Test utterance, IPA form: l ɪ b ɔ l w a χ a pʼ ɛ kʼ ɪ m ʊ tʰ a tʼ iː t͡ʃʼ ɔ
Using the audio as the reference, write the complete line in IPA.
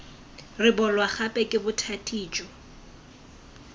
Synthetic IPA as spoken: r ɪ b ɔ l w a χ a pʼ ɛ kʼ ɪ b ʊ tʰ a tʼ iː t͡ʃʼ ɔ